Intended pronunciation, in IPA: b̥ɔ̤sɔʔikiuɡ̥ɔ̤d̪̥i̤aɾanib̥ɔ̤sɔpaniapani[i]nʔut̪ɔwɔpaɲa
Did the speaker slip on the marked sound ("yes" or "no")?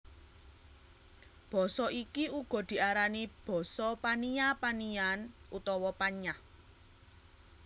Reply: yes